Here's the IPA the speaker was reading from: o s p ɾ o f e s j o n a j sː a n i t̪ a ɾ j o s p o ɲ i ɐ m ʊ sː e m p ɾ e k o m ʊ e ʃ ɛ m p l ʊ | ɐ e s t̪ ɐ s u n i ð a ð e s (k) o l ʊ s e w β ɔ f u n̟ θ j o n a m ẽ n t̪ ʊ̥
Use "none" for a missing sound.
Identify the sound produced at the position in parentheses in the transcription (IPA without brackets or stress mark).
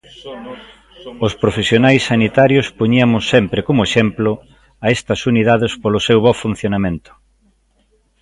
p